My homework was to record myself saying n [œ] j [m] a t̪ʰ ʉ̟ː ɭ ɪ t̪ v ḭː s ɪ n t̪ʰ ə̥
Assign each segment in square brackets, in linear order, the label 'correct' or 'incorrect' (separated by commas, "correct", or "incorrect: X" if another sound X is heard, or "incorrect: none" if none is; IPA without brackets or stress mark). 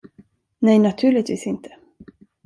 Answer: incorrect: ɛ, incorrect: n